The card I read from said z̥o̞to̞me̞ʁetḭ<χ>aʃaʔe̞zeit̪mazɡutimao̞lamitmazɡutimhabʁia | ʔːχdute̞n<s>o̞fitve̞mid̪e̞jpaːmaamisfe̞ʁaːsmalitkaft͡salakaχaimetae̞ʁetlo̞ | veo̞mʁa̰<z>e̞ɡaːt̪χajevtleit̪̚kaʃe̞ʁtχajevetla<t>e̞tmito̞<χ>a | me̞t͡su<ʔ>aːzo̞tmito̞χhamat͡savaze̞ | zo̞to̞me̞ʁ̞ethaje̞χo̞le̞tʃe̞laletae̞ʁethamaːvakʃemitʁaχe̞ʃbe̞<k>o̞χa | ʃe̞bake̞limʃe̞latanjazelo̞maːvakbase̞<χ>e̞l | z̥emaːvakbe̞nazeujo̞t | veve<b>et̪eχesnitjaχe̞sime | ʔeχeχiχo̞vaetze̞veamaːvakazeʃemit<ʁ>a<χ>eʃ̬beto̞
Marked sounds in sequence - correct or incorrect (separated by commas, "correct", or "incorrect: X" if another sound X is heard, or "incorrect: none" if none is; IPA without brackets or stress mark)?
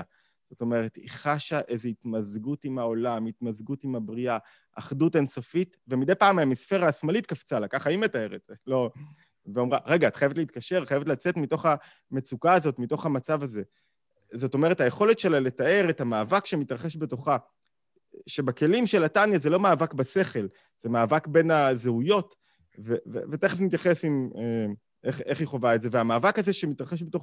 correct, correct, incorrect: ʁ, incorrect: t͡s, correct, incorrect: k, incorrect: t, correct, incorrect: v, correct, correct